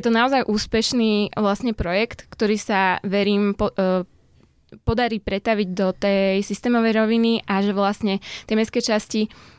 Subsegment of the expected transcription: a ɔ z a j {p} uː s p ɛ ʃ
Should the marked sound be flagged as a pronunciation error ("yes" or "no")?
yes